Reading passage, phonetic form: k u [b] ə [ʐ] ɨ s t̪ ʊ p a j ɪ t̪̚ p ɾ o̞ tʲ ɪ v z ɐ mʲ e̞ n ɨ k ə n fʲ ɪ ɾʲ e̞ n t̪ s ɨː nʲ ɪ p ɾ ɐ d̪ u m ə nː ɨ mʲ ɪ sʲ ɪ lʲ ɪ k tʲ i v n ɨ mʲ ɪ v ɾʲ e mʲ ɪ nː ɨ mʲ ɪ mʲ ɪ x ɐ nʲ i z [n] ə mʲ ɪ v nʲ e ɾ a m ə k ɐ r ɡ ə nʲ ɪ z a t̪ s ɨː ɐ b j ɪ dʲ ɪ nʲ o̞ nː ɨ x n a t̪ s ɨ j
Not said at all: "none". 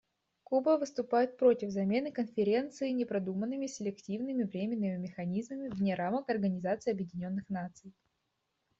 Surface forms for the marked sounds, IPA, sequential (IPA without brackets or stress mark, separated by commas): b, v, m